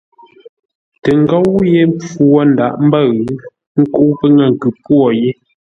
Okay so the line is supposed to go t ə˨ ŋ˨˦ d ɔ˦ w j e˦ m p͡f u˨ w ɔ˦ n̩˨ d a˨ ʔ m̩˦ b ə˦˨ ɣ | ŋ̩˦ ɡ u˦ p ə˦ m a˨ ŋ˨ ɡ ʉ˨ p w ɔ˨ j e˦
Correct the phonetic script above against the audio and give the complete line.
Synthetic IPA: t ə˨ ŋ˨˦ ɡ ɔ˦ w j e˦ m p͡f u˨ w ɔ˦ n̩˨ d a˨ ʔ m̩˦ b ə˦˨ ɣ | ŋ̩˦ k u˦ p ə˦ ŋ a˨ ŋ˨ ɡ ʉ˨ p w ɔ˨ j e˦